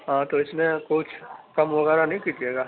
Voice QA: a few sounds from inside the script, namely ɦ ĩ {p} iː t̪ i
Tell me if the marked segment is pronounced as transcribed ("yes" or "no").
no